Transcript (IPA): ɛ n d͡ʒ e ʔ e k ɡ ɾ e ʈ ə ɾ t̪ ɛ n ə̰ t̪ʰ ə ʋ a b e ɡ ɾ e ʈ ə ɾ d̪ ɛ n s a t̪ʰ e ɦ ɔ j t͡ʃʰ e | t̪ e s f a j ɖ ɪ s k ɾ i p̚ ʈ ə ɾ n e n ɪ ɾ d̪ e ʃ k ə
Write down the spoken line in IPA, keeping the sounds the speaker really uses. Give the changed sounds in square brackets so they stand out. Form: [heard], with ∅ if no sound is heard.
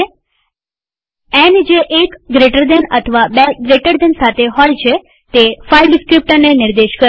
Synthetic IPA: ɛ n d͡ʒ e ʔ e k ɡ ɾ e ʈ ə ɾ [d̪] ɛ n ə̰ t̪ʰ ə ʋ a b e ɡ ɾ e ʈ ə ɾ d̪ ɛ n s a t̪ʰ e ɦ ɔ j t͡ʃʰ e | t̪ e [∅] f a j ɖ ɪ s k ɾ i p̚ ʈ ə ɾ n e n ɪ ɾ d̪ e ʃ k ə

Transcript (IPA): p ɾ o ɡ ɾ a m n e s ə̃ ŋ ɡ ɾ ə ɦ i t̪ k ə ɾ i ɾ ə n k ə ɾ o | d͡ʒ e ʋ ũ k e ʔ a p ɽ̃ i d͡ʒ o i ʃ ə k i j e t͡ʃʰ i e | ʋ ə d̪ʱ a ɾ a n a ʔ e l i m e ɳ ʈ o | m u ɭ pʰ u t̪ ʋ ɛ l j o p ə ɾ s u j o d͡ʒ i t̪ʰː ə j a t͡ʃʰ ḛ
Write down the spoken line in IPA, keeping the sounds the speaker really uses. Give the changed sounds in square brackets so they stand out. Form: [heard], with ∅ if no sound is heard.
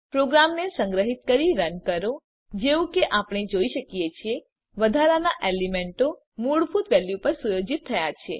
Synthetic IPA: p ɾ o ɡ ɾ a m n e s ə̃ ŋ ɡ ɾ ə ɦ i t̪ k ə ɾ i ɾ ə n k ə ɾ o | d͡ʒ e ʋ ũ k e ʔ a p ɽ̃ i d͡ʒ o i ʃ ə k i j e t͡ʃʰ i e | ʋ ə d̪ʱ a ɾ a n a ʔ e l i m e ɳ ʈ o | m u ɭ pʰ u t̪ ʋ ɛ l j [u] p ə ɾ s u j o d͡ʒ i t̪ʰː ə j a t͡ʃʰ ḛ

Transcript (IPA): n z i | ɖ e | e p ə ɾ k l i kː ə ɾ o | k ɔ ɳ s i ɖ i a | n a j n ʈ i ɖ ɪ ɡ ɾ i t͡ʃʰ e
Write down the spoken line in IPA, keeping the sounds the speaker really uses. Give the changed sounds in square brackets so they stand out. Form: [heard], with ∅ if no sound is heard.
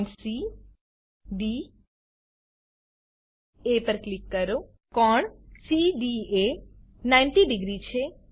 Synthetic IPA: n [s] i | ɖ [i] | e p ə ɾ k l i kː ə ɾ o | k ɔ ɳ s i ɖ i [e] | n a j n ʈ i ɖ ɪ ɡ ɾ i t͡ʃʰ e

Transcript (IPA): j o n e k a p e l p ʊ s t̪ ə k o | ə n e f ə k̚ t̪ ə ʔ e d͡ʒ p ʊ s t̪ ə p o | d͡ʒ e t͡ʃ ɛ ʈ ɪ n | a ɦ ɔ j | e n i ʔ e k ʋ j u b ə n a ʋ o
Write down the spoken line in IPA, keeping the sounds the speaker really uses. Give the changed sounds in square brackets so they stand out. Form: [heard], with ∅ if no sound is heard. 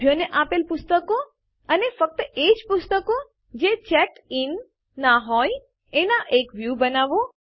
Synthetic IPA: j o n e [ʔ] a p e l p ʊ s t̪ ə k o | ə n e f ə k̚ t̪ ə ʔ e d͡ʒ p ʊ s t̪ ə [k] o | d͡ʒ e t͡ʃ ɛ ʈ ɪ [nː] | a ɦ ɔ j | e n [a] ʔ e k ʋ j u b ə n a ʋ o

